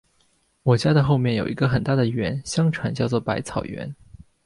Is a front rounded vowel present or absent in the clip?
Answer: absent